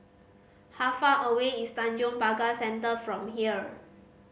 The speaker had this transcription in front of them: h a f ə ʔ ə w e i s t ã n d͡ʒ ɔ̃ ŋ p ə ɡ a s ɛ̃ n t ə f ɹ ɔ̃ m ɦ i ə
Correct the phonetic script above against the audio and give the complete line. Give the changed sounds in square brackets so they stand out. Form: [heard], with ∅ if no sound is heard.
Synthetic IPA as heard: h a f [a] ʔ ə w e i s t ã n d͡ʒ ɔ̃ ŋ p [a] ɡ a s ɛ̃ n t ə f ɹ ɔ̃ m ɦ i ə